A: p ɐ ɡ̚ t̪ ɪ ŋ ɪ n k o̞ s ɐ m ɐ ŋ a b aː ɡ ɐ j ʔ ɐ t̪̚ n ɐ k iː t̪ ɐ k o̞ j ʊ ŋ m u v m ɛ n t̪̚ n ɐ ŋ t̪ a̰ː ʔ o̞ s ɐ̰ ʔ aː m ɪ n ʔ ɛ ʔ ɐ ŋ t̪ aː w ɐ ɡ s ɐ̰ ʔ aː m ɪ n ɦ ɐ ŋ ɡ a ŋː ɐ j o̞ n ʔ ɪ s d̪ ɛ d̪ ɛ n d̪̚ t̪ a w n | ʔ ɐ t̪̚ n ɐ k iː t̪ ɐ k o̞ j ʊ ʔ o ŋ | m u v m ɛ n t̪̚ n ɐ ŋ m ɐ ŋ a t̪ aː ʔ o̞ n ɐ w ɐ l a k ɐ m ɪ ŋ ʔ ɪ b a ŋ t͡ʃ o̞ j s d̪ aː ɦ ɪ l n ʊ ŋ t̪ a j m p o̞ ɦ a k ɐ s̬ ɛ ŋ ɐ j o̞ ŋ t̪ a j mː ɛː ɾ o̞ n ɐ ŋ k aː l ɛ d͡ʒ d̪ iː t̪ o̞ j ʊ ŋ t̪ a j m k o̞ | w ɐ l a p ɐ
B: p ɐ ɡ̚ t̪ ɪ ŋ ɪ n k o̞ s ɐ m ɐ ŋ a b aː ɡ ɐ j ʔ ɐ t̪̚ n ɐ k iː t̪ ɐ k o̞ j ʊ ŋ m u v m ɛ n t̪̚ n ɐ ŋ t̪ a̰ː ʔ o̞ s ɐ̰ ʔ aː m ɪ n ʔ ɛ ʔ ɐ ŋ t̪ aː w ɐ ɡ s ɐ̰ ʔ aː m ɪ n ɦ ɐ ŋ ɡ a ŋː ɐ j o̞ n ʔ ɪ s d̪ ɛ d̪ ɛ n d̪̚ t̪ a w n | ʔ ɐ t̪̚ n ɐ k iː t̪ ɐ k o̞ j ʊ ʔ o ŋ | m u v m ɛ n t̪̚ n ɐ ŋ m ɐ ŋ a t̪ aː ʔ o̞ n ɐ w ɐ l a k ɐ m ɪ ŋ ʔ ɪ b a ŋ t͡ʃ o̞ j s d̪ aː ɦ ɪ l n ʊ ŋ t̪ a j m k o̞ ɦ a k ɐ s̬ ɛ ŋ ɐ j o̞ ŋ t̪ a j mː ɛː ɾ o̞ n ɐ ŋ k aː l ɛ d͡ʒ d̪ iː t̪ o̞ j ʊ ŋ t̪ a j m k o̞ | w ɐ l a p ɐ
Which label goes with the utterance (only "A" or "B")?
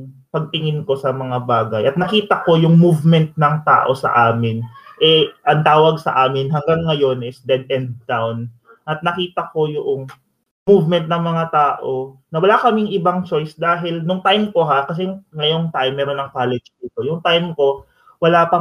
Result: B